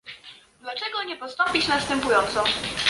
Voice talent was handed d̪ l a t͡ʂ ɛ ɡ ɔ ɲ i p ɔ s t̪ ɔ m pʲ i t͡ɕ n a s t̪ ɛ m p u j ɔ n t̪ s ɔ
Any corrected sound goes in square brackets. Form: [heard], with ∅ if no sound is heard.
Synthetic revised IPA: d̪ l a t͡ʂ ɛ ɡ ɔ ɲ [ɛ] p ɔ s t̪ ɔ m pʲ i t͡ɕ n a s t̪ ɛ m p u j ɔ n t̪ s ɔ